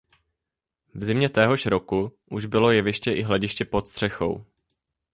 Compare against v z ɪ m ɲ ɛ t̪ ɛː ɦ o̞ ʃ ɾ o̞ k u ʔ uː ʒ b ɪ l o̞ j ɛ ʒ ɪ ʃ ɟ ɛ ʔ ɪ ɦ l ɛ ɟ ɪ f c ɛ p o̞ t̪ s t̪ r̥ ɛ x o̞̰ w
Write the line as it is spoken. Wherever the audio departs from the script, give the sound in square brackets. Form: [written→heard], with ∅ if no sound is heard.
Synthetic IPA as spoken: v z ɪ m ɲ ɛ t̪ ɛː ɦ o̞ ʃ ɾ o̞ k u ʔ [uː→u] ʒ b ɪ l o̞ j ɛ [ʒ→v] ɪ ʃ [ɟ→c] ɛ ʔ ɪ ɦ l ɛ ɟ ɪ [f→ʃ] c ɛ p o̞ t̪ s t̪ r̥ ɛ x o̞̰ w

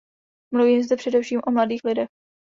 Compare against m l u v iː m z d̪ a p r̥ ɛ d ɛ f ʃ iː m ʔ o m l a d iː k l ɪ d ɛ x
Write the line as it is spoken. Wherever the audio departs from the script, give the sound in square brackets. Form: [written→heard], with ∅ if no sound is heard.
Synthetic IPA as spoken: m l u v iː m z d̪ [a→ɛ] p r̥ ɛ d ɛ f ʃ iː m ʔ o m l a d iː [k→x] l ɪ d ɛ x

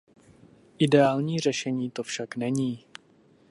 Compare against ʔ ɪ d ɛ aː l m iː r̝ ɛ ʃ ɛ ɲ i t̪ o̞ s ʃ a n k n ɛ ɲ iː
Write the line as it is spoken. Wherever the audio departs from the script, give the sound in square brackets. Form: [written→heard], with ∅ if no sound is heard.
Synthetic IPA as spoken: ʔ ɪ d ɛ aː l [m→ɲ] iː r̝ ɛ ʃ ɛ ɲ [i→iː] t̪ o̞ [s→f] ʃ a [n→∅] k n ɛ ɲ iː

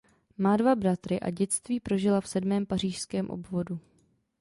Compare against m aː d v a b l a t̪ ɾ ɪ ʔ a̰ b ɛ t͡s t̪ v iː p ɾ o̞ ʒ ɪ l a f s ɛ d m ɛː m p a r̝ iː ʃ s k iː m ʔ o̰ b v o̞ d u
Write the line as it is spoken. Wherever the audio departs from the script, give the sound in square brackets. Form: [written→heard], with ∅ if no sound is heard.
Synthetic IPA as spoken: m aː d v a b [l→ɾ] a t̪ ɾ ɪ ʔ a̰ [b→ɟ] ɛ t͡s t̪ v iː p ɾ o̞ ʒ ɪ l a f s ɛ d m ɛː m p a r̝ iː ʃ s k [iː→ɛː] m ʔ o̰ b v o̞ d u

